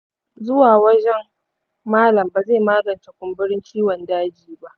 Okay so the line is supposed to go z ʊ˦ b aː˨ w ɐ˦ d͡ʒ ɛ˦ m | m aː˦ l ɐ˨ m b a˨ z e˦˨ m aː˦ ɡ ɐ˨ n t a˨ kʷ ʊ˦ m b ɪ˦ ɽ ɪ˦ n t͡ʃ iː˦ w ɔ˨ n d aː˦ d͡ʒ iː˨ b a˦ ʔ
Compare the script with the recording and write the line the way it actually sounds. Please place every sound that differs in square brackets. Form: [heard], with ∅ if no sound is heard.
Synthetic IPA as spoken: z ʊ˦ [w] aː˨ w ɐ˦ d͡ʒ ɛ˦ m | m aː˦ l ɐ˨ m b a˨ z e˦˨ m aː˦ ɡ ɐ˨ n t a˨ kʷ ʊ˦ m b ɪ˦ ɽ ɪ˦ n t͡ʃ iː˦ w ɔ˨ n d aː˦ d͡ʒ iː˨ b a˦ ʔ